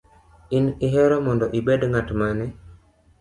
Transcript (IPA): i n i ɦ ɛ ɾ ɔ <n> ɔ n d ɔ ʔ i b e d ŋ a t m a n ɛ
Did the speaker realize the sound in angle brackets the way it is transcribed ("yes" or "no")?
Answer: no